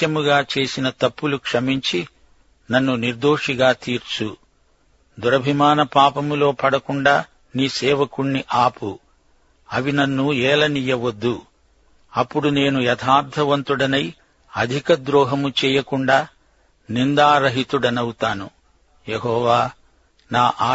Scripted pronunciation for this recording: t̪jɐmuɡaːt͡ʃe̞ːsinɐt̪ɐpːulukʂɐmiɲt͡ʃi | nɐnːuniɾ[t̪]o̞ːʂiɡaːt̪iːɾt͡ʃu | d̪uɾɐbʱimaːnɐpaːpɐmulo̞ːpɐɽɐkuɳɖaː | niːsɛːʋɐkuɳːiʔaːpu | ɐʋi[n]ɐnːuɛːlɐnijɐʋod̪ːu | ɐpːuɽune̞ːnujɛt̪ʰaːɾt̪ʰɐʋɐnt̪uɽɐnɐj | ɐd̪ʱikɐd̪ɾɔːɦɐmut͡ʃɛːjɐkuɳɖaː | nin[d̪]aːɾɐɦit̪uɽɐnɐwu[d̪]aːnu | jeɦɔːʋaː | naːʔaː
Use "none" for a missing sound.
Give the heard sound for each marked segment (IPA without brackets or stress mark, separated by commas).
d̪, n, d̪, t̪